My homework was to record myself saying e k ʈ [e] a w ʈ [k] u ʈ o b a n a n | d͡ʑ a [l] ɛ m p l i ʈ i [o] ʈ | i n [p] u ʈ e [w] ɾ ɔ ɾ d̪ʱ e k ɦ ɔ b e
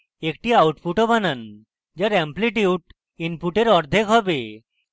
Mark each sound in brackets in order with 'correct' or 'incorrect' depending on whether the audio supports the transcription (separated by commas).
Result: incorrect, incorrect, incorrect, incorrect, correct, incorrect